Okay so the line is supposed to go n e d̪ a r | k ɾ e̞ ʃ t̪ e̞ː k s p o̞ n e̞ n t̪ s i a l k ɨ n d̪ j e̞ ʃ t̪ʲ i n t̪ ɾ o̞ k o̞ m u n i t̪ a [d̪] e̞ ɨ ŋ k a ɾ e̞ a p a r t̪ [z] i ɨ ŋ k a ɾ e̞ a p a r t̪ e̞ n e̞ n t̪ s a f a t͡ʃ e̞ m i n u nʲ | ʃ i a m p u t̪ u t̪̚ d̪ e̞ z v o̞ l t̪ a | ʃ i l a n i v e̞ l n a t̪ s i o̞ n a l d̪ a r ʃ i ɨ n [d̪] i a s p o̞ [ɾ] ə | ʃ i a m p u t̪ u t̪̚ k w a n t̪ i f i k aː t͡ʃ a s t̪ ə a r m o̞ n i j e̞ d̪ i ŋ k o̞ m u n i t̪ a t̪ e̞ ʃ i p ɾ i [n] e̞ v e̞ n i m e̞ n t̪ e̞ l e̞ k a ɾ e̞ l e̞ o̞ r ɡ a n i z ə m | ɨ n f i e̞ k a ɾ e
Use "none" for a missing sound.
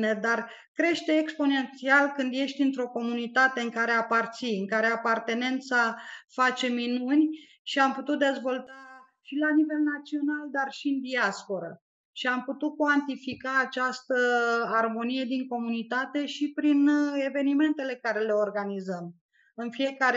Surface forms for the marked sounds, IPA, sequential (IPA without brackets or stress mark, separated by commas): t̪, s, d̪, ɾ, n